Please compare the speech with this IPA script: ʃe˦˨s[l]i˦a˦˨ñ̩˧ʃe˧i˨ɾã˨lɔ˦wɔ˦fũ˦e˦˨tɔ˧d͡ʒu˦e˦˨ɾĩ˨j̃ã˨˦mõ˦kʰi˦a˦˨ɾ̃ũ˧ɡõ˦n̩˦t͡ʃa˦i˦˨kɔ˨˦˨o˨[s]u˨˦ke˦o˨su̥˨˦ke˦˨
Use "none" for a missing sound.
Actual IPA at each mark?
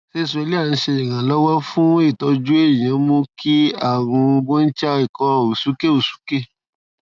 l, s

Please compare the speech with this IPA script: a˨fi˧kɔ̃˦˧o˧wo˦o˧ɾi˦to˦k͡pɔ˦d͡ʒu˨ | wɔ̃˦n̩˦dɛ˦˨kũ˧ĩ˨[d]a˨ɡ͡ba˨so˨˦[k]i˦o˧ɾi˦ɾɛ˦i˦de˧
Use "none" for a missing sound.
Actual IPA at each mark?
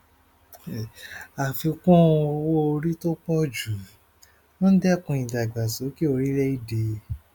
d, k

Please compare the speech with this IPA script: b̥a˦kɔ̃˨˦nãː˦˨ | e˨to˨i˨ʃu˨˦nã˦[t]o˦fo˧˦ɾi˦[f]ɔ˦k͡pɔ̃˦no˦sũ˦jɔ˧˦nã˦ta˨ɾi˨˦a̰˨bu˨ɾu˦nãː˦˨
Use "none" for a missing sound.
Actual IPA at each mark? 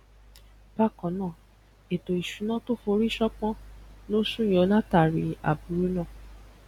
t, ʃ

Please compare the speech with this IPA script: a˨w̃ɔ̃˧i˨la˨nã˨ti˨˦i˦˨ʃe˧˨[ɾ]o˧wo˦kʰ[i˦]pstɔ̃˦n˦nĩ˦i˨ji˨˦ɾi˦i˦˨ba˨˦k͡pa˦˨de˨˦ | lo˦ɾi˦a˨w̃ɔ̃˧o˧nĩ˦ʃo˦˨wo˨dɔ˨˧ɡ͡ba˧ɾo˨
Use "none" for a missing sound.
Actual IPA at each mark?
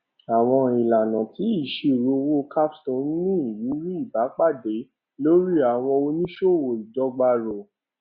ɾ, a˦

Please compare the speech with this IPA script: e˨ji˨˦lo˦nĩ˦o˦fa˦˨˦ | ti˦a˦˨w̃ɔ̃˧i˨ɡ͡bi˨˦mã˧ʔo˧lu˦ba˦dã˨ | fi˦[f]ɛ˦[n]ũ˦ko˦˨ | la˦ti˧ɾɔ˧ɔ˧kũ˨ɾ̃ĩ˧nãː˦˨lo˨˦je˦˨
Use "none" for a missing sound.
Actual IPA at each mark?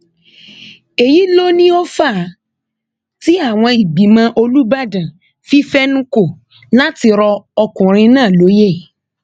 f, n

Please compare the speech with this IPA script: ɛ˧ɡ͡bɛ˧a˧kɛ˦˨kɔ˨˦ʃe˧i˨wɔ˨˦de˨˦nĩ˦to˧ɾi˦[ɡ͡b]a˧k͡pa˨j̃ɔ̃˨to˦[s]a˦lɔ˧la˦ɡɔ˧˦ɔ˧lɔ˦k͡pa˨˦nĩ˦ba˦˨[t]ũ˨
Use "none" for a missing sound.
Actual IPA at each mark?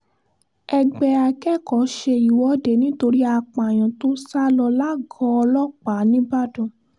none, s, d

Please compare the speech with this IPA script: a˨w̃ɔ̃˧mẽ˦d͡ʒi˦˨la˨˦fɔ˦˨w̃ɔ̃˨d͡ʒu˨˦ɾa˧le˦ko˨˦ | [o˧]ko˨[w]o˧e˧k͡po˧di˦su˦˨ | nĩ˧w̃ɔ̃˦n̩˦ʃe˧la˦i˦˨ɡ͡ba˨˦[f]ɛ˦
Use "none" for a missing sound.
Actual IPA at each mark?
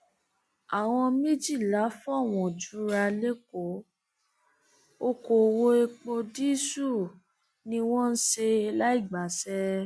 o˧, w, s

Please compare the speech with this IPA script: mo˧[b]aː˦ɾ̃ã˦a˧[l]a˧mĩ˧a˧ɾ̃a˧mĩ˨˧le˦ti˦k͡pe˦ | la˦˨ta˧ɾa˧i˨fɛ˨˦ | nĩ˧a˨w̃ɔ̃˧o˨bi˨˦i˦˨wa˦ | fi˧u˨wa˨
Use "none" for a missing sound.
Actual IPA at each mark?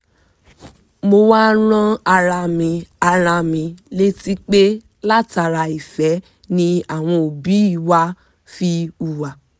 w, ɾ

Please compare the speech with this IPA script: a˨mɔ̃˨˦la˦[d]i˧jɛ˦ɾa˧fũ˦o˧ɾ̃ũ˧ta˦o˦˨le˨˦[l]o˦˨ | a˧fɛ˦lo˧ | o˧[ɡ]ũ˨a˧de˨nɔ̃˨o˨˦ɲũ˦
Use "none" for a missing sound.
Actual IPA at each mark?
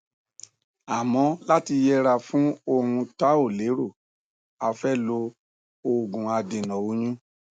t, ɾ, ɡ

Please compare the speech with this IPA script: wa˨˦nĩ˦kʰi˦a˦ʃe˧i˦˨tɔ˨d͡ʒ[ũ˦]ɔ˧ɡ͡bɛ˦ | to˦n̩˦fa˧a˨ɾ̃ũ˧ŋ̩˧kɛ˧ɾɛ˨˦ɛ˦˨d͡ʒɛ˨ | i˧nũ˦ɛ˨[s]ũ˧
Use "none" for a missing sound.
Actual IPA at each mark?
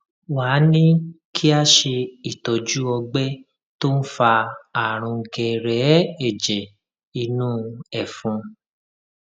u˦, f

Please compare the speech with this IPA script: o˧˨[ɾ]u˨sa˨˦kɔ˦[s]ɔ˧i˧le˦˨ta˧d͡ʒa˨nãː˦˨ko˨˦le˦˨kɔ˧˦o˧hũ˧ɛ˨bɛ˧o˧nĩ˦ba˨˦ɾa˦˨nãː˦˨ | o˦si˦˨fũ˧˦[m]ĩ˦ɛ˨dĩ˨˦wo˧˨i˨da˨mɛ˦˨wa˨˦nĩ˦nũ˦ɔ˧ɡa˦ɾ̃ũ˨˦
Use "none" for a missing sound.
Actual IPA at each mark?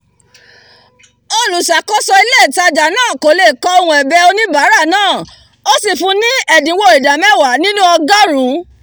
l, s, n

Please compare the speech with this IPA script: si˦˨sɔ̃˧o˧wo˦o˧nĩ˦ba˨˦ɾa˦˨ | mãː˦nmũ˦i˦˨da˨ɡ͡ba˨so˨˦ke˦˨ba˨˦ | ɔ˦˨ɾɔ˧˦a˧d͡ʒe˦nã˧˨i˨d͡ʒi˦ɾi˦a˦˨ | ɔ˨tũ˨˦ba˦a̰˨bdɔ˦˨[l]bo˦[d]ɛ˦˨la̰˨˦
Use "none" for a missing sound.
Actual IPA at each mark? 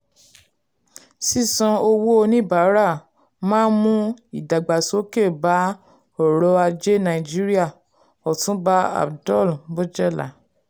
l, d͡ʒ

